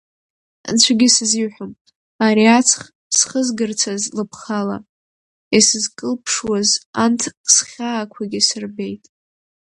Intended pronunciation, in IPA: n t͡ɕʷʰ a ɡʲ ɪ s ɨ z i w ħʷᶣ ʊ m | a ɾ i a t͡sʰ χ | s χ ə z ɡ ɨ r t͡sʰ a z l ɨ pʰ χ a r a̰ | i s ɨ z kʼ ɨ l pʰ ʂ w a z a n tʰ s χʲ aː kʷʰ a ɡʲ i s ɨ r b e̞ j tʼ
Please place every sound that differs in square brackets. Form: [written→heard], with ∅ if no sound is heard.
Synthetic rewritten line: n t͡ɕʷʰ a ɡʲ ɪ s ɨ z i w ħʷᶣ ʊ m | a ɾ i a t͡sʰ χ | s χ ə z ɡ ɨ r t͡sʰ a z l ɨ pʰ χ a [r→l] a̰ | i s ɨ z kʼ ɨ l pʰ ʂ w a z a n tʰ s χʲ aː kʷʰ a ɡʲ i s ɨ r b e̞ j tʼ